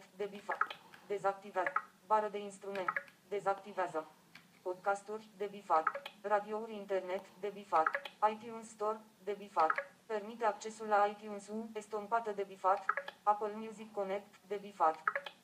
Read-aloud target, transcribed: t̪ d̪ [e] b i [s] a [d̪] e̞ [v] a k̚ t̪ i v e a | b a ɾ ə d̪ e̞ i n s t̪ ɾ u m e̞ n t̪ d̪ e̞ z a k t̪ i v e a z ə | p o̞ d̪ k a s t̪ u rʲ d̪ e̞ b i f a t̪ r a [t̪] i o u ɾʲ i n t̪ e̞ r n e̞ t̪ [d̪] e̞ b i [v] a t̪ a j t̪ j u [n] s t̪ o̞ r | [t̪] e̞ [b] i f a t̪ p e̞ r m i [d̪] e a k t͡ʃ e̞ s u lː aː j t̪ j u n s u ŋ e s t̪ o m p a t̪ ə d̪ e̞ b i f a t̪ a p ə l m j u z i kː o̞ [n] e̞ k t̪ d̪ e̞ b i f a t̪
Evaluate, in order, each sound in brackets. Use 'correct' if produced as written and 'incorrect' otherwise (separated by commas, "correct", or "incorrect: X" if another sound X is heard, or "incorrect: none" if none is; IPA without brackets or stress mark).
correct, incorrect: f, correct, incorrect: z, incorrect: d̪, correct, incorrect: f, correct, incorrect: d̪, correct, incorrect: t̪, correct